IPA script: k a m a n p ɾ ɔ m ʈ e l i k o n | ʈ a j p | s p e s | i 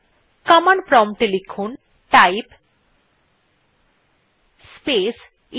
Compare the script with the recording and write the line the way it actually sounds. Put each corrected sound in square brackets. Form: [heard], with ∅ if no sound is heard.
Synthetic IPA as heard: k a m a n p ɾ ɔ m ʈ e l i [kʰ] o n | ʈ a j p | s p e s | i

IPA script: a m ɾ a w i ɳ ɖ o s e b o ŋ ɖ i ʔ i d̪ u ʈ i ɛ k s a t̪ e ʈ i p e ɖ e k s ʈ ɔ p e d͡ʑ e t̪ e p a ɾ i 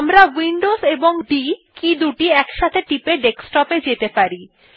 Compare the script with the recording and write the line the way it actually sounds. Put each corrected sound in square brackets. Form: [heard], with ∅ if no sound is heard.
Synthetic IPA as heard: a m ɾ a w i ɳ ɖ o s e b o ŋ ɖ i [k] i d̪ u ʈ i ɛ k [ʃ] a [t̪ʰ] e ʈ i p e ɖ e k s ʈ ɔ p e d͡ʑ e t̪ e p a ɾ i

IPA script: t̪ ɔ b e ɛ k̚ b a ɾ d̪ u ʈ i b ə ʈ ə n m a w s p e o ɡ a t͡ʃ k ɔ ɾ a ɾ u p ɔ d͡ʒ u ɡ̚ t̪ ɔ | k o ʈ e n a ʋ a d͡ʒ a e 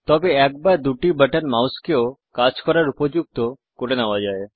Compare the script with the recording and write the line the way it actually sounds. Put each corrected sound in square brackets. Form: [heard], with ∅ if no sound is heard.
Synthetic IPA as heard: t̪ ɔ b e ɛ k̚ b a ɾ d̪ u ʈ i b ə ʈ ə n m a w s [k] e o [k] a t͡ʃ k ɔ ɾ a ɾ u p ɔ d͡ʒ u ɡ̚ t̪ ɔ | k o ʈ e n a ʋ a d͡ʒ a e

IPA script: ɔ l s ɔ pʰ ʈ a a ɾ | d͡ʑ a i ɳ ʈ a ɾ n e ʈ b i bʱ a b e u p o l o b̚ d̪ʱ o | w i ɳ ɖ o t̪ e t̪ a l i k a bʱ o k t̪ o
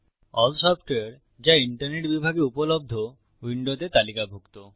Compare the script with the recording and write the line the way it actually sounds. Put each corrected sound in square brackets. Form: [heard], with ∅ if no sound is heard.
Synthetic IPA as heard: ɔ l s ɔ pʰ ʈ [e] a ɾ | d͡ʑ a i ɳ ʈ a ɾ n e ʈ b i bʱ a [ɡ] e u p o l o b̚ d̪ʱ o | w i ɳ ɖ o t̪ e t̪ a l i k a bʱ o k t̪ o

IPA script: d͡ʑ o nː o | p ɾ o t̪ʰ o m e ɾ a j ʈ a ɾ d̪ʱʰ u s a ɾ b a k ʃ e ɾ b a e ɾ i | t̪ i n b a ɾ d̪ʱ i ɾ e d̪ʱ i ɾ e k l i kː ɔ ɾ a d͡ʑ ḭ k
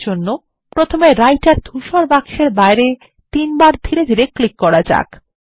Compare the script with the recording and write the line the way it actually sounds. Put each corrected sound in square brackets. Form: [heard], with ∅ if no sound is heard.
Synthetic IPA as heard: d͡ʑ o nː o | p ɾ o t̪ʰ o m e ɾ a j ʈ a ɾ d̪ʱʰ u [ʃ] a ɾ b a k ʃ e ɾ b a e ɾ [e] | t̪ i n b a ɾ d̪ʱ i ɾ e d̪ʱ i ɾ e k l i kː ɔ ɾ a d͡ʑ [a̰] k

